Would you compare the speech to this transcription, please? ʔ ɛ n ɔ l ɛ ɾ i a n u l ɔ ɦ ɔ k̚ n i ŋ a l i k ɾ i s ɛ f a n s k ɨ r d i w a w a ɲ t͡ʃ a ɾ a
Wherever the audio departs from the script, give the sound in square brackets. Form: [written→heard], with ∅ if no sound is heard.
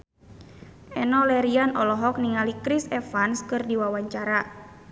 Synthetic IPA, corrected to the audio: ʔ ɛ n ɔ l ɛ ɾ i a n [u→ɔ] l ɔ ɦ ɔ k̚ n i ŋ a l i k ɾ i s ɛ f a n s k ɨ r d i w a w a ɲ t͡ʃ a ɾ a